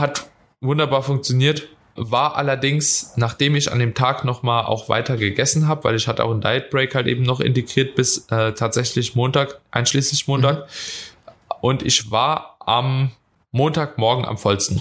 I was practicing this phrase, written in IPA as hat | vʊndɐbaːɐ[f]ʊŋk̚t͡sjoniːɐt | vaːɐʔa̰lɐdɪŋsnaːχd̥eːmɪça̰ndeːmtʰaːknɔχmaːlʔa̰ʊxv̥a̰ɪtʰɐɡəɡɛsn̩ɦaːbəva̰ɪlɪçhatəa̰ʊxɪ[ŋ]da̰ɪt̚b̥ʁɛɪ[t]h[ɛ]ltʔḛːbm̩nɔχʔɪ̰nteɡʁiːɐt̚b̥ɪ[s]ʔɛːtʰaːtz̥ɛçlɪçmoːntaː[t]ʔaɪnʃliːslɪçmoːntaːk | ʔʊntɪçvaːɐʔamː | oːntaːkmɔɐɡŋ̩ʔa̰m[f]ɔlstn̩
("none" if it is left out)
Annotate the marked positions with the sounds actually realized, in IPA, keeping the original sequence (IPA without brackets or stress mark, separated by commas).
f, n, k, a, s, k, f